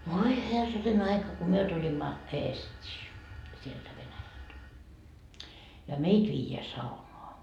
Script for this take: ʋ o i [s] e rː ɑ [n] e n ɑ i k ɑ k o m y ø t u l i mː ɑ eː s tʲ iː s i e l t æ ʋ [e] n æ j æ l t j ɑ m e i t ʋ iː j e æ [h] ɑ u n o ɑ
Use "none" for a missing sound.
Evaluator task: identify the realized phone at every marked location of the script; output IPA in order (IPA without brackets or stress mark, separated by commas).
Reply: h, n, e, s